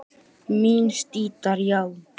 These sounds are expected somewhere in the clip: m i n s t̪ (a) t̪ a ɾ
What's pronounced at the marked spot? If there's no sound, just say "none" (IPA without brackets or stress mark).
i